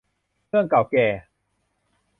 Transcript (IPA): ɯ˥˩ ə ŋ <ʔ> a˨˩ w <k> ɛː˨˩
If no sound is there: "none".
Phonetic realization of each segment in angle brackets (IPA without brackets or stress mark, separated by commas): k, k